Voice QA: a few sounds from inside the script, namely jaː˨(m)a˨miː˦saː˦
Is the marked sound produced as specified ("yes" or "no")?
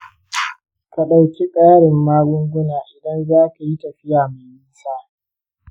yes